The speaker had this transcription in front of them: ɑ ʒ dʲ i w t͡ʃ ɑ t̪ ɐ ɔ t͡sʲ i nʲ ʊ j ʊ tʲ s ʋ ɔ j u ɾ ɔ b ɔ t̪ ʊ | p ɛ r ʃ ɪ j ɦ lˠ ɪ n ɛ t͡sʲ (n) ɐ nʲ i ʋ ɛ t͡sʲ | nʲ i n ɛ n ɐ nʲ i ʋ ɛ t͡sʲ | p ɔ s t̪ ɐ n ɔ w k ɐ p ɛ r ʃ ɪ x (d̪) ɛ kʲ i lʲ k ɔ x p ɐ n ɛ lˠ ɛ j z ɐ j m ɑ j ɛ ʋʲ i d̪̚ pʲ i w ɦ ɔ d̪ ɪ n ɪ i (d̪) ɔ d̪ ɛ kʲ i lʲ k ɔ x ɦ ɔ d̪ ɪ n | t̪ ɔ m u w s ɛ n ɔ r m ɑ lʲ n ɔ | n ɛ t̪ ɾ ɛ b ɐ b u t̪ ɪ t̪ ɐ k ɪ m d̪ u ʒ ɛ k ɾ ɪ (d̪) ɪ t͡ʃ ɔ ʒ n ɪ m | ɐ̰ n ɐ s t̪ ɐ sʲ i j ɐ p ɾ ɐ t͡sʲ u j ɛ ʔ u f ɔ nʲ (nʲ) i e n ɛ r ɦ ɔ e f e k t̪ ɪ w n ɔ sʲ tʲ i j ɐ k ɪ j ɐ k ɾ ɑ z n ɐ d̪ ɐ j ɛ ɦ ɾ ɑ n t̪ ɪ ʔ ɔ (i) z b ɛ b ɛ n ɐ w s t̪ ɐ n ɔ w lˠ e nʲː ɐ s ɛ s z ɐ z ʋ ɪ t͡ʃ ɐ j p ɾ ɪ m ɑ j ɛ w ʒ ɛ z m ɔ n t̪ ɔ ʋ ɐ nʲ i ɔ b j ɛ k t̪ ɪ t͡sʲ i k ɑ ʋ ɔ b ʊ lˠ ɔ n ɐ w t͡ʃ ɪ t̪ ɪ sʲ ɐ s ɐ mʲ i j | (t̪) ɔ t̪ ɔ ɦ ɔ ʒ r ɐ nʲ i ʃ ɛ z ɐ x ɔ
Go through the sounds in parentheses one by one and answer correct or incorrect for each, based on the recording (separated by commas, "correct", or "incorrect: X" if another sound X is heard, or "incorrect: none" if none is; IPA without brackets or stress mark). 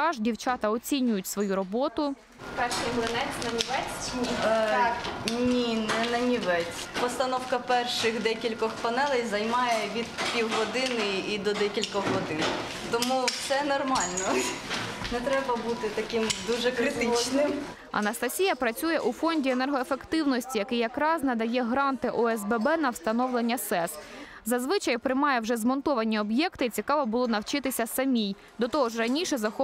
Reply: correct, correct, correct, incorrect: t̪, incorrect: dʲ, incorrect: ɛ, incorrect: d̪